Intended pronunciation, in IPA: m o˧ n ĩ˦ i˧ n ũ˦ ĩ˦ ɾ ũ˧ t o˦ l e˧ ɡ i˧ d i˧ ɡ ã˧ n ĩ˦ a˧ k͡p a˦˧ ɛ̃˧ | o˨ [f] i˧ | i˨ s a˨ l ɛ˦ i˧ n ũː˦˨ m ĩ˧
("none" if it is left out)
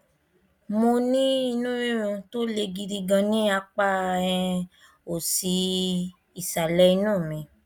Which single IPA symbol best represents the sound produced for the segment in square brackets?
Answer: s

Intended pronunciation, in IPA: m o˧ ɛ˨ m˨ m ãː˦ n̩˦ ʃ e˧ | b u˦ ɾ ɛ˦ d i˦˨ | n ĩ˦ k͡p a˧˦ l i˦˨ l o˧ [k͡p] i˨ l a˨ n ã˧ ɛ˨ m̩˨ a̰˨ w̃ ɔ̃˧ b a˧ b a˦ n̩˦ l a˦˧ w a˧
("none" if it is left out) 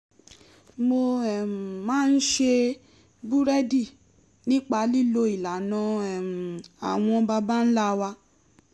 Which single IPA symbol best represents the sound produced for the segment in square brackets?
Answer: none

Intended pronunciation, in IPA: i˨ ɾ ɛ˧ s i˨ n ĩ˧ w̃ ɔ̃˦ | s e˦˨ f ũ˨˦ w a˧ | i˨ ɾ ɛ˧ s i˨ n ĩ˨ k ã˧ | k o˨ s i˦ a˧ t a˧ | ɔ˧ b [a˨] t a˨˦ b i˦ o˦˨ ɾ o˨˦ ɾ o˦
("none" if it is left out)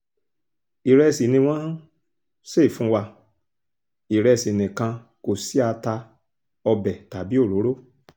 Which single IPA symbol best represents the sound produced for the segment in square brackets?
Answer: ɛ˨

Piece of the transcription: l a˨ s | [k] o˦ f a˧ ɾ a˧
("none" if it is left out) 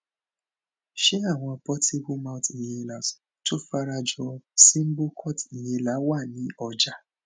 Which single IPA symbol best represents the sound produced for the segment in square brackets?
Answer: t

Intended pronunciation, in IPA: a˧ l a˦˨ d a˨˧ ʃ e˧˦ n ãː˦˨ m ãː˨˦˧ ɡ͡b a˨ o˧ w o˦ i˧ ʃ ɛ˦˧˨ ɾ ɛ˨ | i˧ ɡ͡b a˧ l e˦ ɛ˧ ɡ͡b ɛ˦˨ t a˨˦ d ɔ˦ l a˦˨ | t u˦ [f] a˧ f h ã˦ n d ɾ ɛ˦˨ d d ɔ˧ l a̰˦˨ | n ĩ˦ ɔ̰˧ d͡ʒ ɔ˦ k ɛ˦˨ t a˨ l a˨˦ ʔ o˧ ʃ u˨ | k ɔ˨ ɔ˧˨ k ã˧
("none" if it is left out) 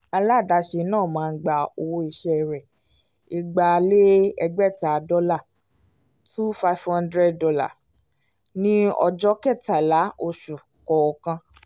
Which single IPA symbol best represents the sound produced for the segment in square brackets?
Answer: f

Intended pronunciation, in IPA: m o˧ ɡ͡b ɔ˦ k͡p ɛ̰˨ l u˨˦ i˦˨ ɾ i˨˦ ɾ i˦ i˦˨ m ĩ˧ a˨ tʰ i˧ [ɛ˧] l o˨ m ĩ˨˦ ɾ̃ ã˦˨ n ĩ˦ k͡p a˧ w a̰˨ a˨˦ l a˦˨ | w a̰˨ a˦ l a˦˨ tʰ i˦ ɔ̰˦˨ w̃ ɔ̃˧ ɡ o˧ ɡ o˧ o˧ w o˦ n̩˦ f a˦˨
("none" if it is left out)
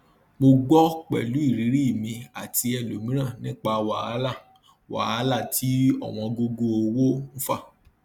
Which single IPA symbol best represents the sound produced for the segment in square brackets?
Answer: ɛ˧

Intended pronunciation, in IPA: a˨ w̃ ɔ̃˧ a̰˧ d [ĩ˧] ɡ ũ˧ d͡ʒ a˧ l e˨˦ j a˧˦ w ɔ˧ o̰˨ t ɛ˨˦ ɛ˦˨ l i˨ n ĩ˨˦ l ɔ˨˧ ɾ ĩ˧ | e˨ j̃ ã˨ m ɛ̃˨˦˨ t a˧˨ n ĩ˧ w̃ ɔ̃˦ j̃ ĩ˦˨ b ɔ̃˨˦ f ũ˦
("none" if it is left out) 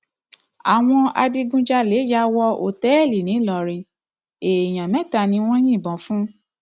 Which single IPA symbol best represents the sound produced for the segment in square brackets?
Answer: i˧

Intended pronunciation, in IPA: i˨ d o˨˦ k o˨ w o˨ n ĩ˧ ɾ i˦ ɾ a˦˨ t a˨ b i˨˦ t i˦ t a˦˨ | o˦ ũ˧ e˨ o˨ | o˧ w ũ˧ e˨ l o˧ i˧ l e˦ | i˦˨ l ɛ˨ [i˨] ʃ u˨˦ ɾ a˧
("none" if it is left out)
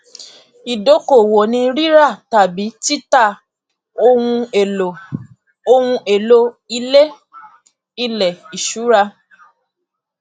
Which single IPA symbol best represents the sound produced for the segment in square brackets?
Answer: i˨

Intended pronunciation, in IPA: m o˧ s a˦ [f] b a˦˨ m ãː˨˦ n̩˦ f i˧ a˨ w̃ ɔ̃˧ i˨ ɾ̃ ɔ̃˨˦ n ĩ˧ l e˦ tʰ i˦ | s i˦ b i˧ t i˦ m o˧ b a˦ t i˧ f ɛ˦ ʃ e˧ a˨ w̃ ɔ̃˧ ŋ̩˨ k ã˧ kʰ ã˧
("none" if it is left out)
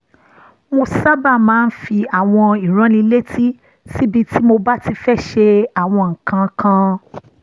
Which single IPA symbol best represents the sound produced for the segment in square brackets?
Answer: none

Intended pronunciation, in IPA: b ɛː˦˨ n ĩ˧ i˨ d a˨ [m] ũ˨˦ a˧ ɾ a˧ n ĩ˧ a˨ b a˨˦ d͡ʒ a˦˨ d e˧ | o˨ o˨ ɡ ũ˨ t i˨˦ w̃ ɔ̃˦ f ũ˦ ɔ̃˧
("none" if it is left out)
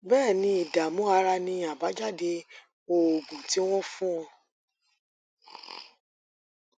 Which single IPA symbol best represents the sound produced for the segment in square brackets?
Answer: m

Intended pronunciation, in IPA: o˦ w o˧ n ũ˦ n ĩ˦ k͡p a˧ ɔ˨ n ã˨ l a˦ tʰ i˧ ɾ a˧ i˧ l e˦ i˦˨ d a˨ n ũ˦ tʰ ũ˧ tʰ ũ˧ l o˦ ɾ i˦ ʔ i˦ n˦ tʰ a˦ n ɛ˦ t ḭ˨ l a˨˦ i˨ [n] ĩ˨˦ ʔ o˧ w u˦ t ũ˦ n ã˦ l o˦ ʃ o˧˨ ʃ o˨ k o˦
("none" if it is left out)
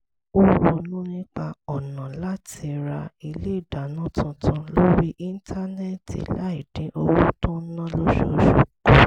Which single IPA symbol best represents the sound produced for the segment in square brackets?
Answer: d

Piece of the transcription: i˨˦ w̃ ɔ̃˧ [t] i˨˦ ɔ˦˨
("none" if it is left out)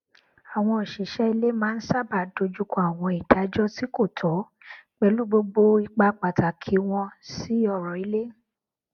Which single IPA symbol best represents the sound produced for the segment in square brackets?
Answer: s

